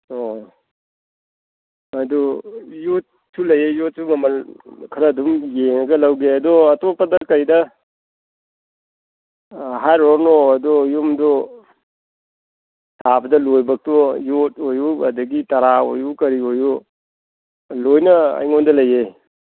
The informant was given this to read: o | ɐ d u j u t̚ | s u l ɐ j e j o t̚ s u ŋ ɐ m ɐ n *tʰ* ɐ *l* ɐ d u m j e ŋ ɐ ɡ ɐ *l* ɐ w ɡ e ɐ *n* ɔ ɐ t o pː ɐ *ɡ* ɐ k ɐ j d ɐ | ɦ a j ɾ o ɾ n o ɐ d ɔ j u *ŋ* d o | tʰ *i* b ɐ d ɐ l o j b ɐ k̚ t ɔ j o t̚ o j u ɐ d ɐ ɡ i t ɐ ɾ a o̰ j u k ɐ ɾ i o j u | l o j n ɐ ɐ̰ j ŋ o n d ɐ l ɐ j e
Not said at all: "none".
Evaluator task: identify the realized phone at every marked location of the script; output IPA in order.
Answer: kʰ, ɾ, l, d, d, m, a

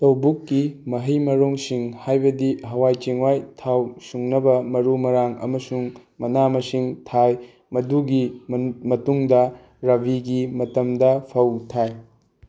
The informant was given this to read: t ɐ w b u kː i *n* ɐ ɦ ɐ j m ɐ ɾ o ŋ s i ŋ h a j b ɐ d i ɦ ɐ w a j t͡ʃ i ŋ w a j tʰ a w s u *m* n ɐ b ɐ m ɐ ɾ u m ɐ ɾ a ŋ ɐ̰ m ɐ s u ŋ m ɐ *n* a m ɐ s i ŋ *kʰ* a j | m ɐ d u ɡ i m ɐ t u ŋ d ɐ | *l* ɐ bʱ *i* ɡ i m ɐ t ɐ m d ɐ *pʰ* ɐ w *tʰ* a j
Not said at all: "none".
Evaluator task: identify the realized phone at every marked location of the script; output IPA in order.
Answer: m, ŋ, n, tʰ, ɾ, i, pʰ, tʰ

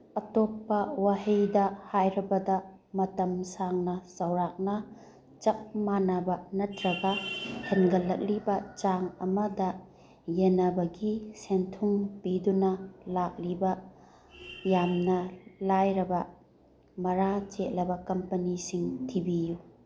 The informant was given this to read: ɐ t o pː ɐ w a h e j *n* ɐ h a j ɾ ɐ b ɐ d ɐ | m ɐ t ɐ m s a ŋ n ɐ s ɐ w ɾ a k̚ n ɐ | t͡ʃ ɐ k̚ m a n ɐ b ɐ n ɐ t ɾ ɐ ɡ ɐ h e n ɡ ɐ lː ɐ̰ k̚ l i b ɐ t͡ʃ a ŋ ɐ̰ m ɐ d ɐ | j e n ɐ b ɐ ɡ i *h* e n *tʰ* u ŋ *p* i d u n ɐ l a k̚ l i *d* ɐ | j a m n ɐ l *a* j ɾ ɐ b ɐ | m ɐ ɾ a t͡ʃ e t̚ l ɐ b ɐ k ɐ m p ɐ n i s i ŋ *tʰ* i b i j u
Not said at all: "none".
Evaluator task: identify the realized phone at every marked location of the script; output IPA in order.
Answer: d, s, tʰ, p, b, a, tʰ

